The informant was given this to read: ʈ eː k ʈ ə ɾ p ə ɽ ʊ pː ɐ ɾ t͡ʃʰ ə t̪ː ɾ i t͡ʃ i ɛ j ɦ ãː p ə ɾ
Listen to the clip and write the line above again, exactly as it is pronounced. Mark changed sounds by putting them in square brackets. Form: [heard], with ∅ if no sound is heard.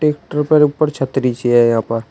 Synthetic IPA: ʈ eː k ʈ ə ɾ p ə [ɾ] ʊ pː [ə] ɾ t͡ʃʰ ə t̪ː ɾ i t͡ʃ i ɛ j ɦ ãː p ə ɾ